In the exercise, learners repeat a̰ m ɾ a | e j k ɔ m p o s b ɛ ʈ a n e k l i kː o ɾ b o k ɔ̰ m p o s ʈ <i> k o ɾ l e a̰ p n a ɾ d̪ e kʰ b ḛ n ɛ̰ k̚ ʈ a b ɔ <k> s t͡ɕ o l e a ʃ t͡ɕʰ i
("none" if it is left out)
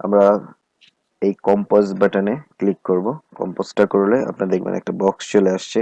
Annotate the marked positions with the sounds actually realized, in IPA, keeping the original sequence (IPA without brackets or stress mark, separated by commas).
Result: a, k